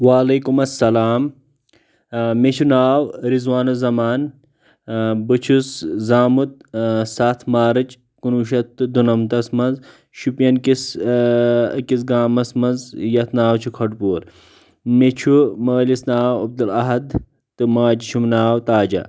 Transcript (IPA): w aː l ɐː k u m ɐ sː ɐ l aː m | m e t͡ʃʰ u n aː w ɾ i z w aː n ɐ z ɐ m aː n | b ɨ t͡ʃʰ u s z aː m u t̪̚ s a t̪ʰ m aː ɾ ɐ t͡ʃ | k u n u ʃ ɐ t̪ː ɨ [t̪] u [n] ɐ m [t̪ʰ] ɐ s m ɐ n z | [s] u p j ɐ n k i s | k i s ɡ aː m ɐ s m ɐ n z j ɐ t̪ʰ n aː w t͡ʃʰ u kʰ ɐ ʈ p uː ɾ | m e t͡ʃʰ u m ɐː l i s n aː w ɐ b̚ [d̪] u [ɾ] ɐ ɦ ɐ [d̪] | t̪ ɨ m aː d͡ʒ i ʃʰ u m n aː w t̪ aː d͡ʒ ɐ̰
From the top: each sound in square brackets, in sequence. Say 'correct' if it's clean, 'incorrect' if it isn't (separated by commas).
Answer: incorrect, correct, incorrect, incorrect, correct, incorrect, correct